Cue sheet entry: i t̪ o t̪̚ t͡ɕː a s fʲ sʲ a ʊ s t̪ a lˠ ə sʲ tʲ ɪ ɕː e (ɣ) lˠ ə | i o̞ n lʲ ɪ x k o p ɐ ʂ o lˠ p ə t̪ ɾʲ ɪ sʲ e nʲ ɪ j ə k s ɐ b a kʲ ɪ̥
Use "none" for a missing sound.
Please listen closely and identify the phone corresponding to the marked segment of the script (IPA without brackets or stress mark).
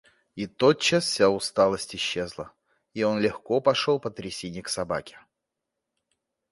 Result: z